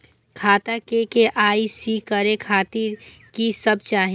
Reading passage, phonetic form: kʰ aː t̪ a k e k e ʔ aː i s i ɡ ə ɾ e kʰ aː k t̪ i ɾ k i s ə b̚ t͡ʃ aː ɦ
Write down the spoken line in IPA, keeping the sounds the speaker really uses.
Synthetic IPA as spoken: kʰ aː t̪ a k e k e ʔ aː i s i k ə ɾ e kʰ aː t̪ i ɾ k i s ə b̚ t͡ʃ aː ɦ